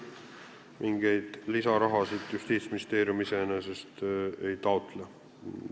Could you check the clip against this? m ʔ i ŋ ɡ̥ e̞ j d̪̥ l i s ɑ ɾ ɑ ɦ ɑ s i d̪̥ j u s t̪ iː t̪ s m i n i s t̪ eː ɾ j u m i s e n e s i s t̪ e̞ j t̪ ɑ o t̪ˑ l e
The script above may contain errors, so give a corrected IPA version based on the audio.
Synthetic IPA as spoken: m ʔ i ŋ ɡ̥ e̞ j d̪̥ l i s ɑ ɾ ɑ ɦ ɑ s i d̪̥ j u s t̪ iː t̪ s m i n i s t̪ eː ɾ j u m i s e n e s e s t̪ e̞ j t̪ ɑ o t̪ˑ l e